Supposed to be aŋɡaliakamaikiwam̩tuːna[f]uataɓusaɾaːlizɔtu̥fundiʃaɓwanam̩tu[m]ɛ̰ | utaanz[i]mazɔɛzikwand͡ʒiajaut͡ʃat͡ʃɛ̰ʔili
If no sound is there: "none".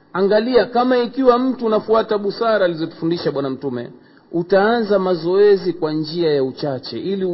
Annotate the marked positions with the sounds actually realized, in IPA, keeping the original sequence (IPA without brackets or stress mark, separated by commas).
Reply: f, m, a